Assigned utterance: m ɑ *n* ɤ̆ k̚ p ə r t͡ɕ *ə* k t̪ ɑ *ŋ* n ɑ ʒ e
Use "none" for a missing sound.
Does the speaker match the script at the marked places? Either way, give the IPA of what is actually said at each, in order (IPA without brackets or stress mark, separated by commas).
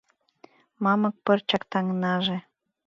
m, ɑ, ŋ